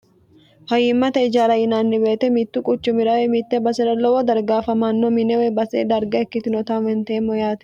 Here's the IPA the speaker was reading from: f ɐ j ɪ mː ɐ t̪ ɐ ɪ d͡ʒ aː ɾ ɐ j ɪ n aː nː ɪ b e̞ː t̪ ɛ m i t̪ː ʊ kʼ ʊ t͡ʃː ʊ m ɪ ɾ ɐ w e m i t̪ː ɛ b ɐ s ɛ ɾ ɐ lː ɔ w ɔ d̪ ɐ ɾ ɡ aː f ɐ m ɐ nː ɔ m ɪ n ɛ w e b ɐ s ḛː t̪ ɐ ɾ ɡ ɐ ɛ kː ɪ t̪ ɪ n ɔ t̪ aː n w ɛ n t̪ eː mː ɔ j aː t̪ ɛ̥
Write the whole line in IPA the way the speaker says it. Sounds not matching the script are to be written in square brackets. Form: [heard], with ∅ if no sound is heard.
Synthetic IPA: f ɐ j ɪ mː ɐ t̪ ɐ ɪ d͡ʒ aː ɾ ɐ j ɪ n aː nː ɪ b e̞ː t̪ ɛ m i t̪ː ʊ kʼ ʊ t͡ʃː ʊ m ɪ ɾ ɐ w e m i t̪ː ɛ b ɐ s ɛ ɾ ɐ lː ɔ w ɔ d̪ ɐ ɾ ɡ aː f ɐ m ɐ nː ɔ m ɪ n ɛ w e b ɐ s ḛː [d̪] ɐ ɾ ɡ ɐ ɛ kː ɪ t̪ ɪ n ɔ t̪ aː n w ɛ n t̪ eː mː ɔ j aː t̪ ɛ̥